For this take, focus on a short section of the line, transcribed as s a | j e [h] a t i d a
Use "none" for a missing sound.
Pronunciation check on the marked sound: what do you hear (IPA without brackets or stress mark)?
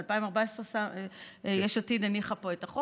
ʃ